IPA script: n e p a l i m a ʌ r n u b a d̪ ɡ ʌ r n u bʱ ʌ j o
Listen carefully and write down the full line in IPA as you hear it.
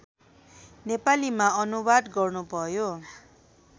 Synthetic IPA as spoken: n e p a l i m a ʌ n u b a d̪ ɡ ʌ r n u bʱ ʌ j o